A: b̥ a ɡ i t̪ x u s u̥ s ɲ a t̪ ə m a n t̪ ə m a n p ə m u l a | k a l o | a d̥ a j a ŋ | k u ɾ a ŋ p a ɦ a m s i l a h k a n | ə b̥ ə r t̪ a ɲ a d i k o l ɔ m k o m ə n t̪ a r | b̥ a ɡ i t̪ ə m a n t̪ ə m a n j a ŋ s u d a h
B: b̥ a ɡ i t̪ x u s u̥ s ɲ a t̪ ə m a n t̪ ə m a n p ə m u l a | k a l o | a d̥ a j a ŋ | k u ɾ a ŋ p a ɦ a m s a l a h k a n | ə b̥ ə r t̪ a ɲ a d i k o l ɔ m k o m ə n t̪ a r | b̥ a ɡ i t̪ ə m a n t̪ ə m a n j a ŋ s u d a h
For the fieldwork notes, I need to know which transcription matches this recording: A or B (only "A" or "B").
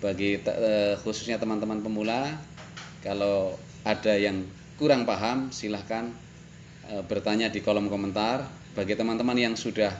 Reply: A